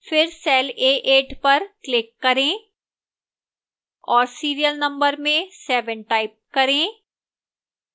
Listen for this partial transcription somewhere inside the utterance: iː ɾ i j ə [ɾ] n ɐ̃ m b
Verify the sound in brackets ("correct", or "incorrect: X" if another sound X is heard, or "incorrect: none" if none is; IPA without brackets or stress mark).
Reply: incorrect: l